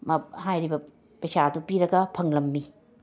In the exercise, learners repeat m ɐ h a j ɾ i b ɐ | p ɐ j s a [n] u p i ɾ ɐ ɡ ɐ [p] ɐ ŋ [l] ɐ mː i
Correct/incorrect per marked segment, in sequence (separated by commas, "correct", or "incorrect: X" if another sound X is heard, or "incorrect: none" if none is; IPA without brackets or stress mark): incorrect: d, incorrect: pʰ, correct